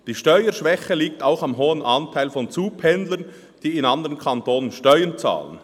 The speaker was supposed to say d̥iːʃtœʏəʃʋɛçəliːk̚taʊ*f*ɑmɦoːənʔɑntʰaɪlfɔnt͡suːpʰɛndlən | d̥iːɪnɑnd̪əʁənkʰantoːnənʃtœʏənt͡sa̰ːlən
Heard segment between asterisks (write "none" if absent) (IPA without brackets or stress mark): x